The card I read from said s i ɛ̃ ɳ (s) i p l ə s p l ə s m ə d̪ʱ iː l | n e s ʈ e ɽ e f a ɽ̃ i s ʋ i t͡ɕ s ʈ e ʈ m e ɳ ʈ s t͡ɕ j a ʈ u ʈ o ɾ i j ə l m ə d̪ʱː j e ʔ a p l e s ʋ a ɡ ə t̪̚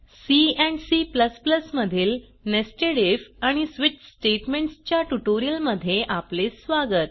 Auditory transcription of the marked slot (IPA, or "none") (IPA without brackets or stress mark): s